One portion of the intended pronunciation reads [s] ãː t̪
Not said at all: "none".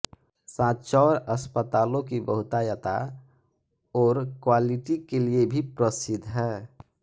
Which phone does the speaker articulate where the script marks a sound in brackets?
s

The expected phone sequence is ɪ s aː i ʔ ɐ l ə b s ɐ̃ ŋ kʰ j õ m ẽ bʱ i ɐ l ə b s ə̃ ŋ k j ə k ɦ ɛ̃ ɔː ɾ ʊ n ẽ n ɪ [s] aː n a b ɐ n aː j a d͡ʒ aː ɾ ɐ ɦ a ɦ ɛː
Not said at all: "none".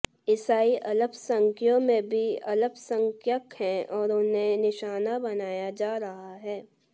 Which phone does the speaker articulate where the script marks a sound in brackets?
ʃ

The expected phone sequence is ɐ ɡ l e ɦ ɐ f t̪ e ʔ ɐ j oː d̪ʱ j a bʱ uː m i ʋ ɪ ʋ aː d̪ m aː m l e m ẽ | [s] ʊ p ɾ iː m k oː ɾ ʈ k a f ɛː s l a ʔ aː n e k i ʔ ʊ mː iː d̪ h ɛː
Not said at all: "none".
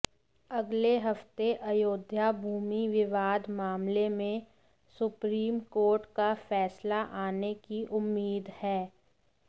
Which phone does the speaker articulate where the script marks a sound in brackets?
s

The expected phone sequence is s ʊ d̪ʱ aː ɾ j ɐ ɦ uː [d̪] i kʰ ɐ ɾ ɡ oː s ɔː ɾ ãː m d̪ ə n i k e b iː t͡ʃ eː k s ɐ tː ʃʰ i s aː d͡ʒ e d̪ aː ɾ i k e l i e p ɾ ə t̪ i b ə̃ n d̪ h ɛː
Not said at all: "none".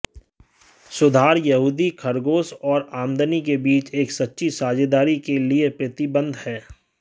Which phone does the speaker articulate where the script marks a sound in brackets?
d̪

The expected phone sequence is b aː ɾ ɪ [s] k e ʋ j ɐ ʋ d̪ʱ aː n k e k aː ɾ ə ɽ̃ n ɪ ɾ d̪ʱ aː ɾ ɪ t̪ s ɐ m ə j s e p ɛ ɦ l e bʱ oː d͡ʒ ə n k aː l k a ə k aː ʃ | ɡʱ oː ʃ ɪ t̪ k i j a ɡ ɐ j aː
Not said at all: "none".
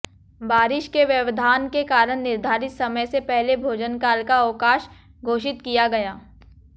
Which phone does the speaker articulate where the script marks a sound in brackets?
ʃ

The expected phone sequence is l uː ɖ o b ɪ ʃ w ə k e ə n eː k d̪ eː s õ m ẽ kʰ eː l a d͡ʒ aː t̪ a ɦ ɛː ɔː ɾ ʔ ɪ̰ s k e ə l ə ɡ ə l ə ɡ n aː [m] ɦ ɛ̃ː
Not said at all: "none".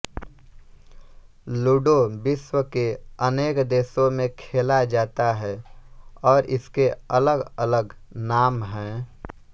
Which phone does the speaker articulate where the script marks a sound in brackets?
m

